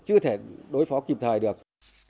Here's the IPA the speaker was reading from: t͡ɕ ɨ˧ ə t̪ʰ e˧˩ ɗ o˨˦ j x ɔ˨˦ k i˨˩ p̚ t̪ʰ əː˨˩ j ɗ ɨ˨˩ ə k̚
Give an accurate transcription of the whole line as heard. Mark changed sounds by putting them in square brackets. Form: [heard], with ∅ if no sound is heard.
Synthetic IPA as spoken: t͡ɕ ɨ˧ ə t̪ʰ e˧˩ ɗ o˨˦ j [f] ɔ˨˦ k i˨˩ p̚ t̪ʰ əː˨˩ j ɗ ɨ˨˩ ə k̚